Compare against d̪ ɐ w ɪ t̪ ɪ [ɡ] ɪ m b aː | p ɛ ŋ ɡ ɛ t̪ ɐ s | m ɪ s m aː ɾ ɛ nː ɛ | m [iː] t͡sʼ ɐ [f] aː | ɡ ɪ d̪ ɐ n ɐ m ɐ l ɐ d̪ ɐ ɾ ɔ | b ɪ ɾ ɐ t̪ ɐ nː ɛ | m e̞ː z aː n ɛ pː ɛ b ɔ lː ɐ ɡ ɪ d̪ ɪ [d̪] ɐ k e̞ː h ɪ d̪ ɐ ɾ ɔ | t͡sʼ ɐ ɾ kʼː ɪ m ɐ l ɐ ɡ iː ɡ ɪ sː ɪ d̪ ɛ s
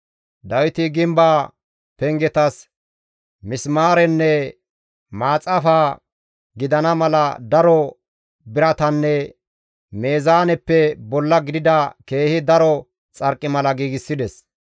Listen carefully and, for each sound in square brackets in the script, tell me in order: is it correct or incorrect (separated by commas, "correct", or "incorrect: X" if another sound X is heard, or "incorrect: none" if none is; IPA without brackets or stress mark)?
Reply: correct, incorrect: aː, correct, correct